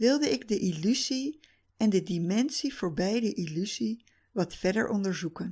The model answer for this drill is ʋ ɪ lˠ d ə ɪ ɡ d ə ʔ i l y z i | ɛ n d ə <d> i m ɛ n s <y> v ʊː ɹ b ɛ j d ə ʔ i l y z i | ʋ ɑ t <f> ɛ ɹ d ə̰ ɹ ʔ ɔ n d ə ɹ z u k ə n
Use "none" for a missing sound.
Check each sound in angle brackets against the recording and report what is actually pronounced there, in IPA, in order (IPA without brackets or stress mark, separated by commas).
d, i, f